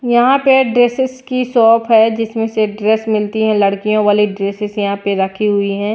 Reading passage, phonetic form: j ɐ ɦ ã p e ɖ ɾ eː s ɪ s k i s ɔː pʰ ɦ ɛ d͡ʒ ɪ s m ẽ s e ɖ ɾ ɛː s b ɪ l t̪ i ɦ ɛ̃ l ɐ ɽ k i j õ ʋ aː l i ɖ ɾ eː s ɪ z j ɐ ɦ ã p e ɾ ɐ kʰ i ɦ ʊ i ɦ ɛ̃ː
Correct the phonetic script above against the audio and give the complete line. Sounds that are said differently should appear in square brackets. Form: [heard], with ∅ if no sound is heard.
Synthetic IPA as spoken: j ɐ ɦ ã p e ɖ ɾ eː s ɪ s k i s ɔː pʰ ɦ ɛ d͡ʒ ɪ s m ẽ s e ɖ ɾ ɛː s [m] ɪ l t̪ i ɦ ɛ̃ l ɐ ɽ k i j õ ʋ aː l i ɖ ɾ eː s ɪ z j ɐ ɦ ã p e ɾ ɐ kʰ i ɦ ʊ i ɦ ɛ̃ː